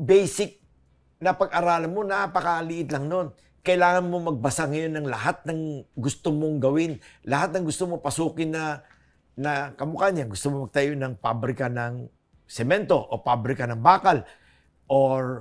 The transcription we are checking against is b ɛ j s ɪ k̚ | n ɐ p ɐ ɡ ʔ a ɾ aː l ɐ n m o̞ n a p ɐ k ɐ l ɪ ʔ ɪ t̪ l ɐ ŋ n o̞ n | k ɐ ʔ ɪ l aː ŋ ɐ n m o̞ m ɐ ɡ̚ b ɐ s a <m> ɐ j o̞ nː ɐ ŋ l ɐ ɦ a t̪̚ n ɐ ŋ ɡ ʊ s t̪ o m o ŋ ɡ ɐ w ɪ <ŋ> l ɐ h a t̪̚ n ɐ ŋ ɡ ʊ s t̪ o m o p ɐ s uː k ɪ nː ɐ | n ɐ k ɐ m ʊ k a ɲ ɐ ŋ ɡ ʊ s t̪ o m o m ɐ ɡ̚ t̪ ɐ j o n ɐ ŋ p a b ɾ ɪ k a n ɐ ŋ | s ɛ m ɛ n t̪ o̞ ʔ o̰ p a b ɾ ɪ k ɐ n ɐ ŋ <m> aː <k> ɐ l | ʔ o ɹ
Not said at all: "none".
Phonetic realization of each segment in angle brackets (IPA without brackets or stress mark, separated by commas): ŋ, n, b, k